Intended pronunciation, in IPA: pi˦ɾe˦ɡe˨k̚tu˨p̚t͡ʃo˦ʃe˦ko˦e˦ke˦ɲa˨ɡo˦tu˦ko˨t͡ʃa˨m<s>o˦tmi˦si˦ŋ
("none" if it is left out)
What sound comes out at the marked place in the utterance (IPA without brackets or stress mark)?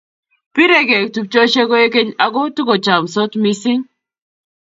s